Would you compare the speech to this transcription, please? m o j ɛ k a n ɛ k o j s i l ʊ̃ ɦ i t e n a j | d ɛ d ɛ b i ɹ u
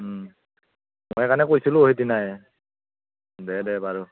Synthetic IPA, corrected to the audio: m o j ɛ k a n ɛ k o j s i l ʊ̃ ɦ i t i n a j | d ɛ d ɛ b a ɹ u

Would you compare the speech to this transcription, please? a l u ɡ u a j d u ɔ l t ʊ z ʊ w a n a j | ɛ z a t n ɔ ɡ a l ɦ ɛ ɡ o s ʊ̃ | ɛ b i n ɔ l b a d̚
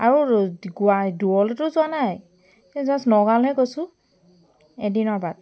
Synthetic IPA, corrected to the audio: a ɹ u ɡ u a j d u ɔ l t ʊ z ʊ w a n a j | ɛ z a s n ɔ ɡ a l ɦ ɛ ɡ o s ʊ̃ | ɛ d i n ɔ ɹ b a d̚

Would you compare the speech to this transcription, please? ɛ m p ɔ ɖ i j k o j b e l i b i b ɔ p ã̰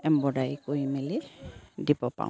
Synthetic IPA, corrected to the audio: ɛ m b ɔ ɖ a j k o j m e l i d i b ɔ p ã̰

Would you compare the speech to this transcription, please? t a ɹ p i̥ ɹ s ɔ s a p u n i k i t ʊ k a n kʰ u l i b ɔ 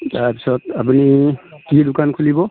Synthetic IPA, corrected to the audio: t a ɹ p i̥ s ɔ t a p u n i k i d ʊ k a n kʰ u l i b ɔ

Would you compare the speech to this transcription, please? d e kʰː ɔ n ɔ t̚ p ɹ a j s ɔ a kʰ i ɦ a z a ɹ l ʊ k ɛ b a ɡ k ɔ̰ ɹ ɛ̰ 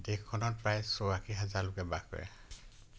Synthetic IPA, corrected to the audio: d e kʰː ɔ n ɔ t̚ p ɹ a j s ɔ a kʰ i ɦ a z a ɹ l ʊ k ɛ b a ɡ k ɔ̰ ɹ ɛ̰

